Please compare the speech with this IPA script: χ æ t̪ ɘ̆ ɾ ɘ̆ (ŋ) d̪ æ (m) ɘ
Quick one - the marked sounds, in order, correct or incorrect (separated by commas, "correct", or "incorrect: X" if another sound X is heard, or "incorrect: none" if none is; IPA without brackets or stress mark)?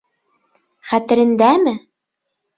incorrect: n, correct